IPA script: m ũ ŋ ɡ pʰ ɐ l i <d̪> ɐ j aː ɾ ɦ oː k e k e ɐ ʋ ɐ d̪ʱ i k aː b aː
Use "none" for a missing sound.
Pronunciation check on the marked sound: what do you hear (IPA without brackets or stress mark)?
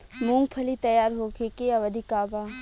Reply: t̪